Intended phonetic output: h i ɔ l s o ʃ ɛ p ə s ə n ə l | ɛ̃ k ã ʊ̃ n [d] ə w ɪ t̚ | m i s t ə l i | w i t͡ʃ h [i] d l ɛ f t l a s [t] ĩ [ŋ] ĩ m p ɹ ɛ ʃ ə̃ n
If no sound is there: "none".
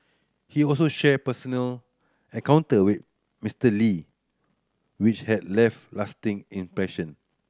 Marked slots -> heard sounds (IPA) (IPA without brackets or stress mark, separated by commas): t, ɛ, t, ŋ